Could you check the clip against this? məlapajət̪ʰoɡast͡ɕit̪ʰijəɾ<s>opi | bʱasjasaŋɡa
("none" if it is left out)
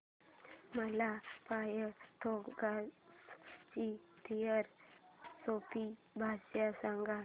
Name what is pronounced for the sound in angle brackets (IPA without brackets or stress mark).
s